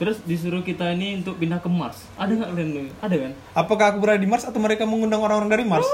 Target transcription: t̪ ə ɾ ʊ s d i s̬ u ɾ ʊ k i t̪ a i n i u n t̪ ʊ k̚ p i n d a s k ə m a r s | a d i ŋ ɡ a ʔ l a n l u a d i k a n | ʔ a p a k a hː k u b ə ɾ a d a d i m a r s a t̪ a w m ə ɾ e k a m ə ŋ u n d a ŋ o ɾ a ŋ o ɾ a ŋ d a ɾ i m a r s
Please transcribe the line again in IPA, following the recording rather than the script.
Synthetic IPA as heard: t̪ ə ɾ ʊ s d i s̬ u ɾ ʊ k i t̪ a i n i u n t̪ ʊ k̚ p i n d a k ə m a r s | a d a ŋ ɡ a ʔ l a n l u a d a k a n | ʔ a p a k a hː k u b ə ɾ a d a d i m a r s a t̪ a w m ə ɾ e k a m ə ŋ u n d a ŋ o ɾ a ŋ o ɾ a ŋ d a ɾ i m a r s